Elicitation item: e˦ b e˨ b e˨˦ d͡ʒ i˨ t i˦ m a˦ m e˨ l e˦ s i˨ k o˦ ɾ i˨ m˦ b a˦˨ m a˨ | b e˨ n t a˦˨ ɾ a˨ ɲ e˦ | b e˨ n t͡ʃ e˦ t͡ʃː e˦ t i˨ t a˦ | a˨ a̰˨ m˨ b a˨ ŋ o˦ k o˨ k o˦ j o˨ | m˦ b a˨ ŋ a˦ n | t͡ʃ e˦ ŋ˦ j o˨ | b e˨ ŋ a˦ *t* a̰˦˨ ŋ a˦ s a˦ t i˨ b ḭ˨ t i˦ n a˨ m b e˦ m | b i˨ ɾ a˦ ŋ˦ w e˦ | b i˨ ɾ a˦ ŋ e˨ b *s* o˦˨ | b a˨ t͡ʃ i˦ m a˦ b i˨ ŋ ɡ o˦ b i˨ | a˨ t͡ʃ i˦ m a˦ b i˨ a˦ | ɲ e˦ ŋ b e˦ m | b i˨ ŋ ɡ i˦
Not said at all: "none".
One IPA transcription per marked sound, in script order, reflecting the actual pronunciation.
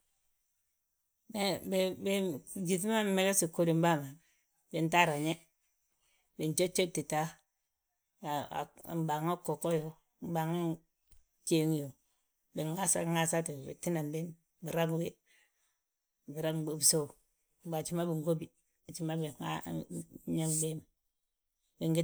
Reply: s, s

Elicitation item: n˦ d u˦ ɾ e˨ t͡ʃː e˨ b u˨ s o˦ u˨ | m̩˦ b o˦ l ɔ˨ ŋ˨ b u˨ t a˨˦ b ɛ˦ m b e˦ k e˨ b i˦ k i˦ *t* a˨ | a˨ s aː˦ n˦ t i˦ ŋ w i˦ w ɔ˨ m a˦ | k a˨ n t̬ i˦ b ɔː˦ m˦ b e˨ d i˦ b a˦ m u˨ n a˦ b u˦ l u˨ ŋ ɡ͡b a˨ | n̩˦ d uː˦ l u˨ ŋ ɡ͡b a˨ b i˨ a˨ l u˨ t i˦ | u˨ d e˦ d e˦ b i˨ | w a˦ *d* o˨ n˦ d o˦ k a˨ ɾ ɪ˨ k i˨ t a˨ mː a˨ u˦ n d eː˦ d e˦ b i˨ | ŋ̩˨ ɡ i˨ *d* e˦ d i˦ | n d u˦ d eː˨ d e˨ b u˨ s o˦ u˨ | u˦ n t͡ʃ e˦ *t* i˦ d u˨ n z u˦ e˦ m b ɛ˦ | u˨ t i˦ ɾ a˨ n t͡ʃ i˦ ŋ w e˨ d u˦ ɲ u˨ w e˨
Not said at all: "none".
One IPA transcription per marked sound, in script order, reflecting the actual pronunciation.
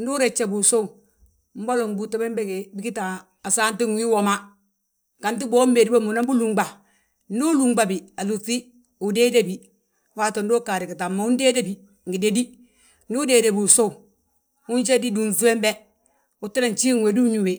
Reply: t, t, d, d

